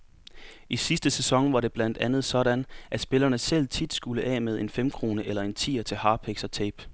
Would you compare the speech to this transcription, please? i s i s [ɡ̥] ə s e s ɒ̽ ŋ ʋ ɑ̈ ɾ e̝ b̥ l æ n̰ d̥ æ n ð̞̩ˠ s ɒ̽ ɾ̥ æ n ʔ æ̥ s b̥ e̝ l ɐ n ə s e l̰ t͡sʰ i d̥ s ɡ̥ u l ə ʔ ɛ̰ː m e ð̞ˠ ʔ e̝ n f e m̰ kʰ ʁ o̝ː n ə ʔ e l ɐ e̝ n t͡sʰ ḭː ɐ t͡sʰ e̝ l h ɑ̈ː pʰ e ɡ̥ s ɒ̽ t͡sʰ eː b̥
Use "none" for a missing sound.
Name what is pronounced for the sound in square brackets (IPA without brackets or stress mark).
d̥